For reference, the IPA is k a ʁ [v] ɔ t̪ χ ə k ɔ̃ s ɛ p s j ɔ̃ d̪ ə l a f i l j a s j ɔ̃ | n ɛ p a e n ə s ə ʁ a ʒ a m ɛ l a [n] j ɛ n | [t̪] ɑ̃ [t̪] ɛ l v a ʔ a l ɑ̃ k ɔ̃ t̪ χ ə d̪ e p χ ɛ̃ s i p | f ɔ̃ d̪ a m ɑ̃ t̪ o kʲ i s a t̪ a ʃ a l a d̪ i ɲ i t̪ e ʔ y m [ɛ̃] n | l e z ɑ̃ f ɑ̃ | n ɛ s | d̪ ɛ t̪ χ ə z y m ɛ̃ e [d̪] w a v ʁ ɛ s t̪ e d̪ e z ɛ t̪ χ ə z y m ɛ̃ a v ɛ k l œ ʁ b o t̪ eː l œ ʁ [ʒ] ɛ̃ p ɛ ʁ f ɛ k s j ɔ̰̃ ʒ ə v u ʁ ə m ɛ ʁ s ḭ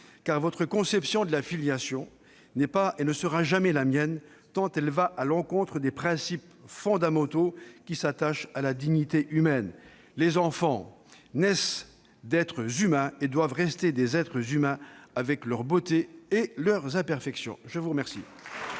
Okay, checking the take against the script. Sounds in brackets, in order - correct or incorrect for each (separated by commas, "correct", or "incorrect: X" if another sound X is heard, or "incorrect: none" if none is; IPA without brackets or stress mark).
correct, incorrect: m, correct, correct, incorrect: ɛ, correct, incorrect: z